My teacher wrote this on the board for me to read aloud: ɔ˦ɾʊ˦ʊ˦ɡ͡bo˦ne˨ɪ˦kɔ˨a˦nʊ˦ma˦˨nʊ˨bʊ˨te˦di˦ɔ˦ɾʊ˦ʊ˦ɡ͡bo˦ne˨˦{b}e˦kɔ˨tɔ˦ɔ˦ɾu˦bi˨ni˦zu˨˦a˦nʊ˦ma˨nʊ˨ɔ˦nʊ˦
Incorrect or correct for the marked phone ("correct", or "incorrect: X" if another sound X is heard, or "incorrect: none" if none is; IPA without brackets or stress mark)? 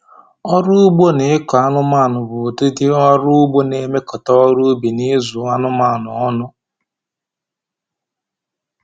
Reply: incorrect: m